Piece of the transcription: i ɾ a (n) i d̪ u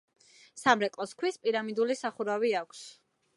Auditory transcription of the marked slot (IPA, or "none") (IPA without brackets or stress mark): m